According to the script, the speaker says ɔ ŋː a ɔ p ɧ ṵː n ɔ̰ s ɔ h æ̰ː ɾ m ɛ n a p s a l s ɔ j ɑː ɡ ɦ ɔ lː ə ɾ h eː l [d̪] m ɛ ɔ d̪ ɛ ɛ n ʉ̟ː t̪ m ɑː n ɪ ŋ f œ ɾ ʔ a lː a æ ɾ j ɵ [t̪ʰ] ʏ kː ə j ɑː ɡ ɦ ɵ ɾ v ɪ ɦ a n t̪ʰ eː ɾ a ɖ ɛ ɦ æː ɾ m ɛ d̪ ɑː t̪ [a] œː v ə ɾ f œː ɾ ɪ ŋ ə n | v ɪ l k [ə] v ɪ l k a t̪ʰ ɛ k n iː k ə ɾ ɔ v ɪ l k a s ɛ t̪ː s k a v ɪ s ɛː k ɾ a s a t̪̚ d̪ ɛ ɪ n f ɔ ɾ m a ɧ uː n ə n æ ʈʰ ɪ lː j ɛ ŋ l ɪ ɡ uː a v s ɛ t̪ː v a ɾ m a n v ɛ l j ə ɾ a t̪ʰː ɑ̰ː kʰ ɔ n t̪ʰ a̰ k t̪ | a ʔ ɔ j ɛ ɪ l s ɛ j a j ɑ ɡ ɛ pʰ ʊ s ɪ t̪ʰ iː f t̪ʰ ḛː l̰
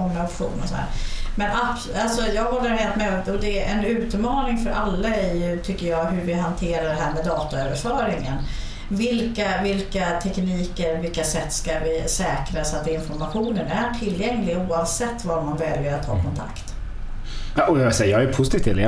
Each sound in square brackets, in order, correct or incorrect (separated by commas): incorrect, correct, correct, incorrect